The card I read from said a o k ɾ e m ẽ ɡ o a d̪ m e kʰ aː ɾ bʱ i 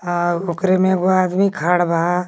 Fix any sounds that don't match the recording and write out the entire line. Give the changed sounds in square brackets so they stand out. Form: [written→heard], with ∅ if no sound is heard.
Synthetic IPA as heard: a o k ɾ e m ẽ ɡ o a d̪ m [e→i] kʰ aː [ɾ→ɽ] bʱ [i→a]